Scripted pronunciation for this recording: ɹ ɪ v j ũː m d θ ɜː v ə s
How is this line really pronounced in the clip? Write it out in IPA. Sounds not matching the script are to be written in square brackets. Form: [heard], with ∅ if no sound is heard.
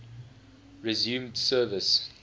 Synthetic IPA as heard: ɹ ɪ [z] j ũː m d [s] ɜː v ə s